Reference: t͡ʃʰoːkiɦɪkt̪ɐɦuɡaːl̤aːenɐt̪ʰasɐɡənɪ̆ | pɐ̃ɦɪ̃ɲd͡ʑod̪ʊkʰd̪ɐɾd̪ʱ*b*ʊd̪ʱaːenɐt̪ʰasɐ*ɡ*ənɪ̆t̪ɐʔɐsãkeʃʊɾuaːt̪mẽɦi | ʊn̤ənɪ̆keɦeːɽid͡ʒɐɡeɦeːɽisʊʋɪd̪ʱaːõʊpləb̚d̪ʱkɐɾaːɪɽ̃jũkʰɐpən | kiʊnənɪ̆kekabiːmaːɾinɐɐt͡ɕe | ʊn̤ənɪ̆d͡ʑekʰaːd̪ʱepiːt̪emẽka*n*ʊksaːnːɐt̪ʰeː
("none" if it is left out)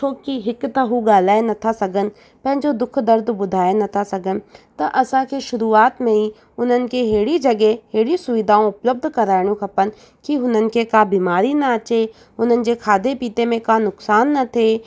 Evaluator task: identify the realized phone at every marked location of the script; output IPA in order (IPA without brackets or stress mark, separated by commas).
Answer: b, ɡ, n